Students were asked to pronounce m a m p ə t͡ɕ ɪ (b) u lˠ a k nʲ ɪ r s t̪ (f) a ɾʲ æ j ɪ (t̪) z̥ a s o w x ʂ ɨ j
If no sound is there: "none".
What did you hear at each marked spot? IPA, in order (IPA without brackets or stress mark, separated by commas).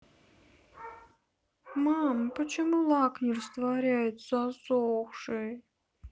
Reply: m, v, t̪